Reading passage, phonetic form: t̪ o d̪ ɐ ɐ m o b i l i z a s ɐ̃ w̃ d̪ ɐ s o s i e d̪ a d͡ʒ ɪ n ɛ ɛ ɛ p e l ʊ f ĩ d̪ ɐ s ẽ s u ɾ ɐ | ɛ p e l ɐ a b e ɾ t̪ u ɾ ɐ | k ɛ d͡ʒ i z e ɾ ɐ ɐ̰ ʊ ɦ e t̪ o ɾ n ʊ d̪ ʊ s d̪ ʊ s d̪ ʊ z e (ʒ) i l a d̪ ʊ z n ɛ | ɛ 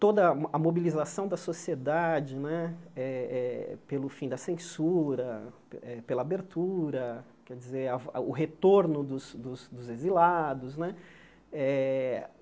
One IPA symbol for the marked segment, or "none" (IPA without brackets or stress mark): z